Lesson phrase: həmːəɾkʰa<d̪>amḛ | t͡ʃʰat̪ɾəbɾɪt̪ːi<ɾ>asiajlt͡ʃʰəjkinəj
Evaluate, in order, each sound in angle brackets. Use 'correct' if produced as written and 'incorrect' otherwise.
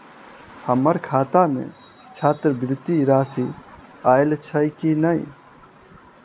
incorrect: t̪, correct

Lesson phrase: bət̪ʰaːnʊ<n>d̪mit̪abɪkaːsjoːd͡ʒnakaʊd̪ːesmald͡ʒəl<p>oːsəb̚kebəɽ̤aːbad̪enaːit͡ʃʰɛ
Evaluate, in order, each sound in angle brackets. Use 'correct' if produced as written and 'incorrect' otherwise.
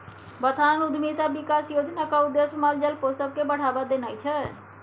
incorrect: none, correct

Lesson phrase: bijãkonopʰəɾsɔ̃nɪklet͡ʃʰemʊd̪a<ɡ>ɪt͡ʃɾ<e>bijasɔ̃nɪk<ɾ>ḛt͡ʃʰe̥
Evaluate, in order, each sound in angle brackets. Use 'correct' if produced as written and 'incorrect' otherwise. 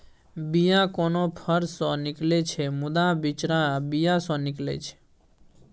incorrect: b, incorrect: a, incorrect: l

